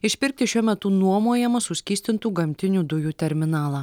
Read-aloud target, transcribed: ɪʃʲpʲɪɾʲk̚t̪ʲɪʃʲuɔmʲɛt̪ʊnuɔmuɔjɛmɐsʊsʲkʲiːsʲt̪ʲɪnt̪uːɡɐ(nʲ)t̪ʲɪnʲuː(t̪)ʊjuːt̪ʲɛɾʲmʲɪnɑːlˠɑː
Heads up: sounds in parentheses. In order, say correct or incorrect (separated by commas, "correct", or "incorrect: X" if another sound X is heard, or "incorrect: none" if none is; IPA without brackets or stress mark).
incorrect: mʲ, incorrect: d̪